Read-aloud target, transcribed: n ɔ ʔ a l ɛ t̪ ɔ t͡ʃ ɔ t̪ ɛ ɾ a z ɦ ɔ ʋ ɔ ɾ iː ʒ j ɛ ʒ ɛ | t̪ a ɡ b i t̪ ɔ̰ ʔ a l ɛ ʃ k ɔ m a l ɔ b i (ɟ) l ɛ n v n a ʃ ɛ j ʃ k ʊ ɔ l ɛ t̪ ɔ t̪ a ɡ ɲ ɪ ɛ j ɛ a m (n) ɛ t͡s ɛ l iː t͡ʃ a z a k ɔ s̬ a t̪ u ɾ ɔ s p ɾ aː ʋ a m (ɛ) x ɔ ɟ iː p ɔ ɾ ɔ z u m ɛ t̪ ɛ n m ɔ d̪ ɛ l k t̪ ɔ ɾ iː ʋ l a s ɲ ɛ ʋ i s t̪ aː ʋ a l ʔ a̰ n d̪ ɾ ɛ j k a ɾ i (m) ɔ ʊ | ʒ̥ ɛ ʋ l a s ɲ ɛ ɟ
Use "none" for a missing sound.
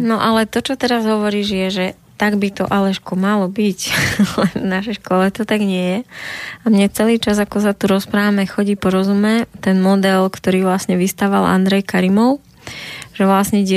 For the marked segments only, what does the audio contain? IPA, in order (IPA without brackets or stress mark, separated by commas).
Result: c, ɲ, ɛ, m